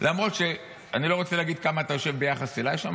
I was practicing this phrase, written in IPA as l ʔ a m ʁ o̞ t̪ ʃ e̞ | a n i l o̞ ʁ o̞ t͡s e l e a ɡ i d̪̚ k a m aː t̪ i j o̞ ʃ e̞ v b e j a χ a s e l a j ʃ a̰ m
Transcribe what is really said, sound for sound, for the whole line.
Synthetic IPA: l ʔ a m ʁ o̞ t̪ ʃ e̞ | a n i l o̞ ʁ o̞ t͡s e l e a ɡ i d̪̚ k a m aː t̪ a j o̞ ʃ e̞ v b e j a χ a s e l a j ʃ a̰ m